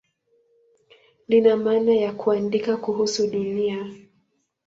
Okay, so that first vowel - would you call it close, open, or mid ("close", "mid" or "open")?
close